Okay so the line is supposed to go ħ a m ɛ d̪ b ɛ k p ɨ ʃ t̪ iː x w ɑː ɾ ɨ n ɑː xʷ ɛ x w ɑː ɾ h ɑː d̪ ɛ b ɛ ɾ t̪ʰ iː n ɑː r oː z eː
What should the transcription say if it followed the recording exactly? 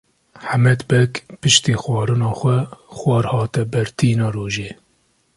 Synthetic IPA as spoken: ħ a m ɛ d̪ b ɛ k p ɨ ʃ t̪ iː x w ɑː ɾ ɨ n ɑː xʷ ɛ x w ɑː ɾ h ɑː t̪ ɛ b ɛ ɾ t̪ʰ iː n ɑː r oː ʒ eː